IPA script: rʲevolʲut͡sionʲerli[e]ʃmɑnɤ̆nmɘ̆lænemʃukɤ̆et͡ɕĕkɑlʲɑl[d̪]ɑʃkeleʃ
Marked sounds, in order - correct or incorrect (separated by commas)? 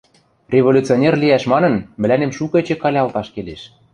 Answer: incorrect, incorrect